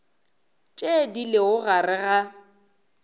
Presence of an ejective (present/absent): present